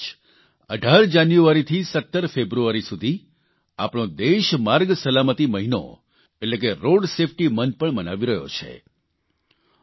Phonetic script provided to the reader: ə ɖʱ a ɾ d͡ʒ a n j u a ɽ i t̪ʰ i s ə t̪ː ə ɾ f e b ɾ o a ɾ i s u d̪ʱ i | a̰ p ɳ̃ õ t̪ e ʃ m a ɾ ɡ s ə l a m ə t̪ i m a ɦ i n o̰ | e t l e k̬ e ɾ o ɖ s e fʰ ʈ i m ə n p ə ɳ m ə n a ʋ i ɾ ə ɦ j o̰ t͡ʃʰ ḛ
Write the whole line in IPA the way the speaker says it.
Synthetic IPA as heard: ə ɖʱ a ɾ d͡ʒ a n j u a ɾ i t̪ʰ i s ə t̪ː ə ɾ f e b ɾ u a ɾ i s u d̪ʱ i | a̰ p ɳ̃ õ d̪ e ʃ m a ɾ ɡ s ə l a m ə t̪ i m ə ɦ i n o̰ | e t l e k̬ e ɾ o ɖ s e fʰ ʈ i m ə n p ə ɳ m ə n a ʋ i ɾ ə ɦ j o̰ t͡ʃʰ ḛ